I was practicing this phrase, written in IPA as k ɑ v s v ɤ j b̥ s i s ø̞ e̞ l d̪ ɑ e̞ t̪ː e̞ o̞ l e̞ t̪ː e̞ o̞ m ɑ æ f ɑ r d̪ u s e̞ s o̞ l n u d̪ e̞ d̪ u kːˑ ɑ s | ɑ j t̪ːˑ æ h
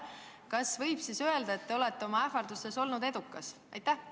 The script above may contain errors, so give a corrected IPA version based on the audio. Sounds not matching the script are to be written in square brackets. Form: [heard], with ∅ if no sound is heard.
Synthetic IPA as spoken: k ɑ [∅] s v ɤ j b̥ s i s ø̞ e̞ l d̪ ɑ e̞ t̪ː e̞ o̞ l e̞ t̪ː e̞ o̞ m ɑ æ f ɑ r d̪ u s e̞ s o̞ l n u d̪ e̞ d̪ u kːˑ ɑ s | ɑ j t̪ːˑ æ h